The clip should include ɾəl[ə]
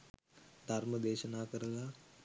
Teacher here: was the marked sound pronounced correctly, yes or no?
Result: no